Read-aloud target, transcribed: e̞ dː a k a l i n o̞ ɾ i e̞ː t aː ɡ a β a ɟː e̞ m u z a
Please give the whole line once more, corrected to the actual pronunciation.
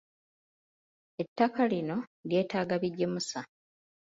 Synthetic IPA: e̞ tː a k a l i n o̞ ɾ j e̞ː t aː ɡ a β i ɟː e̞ m u s a